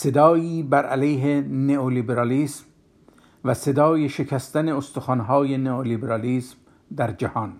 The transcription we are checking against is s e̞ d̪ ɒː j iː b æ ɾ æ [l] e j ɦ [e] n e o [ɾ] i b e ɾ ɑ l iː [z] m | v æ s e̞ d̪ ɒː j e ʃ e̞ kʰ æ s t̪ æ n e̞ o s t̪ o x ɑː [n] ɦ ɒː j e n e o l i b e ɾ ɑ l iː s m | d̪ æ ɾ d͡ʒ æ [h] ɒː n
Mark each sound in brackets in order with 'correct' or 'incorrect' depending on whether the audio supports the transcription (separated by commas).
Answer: correct, correct, incorrect, incorrect, correct, correct